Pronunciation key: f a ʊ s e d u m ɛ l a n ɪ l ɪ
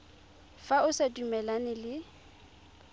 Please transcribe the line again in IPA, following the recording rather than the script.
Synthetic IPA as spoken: f a ʊ s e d u m ɛ l a n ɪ l ɪ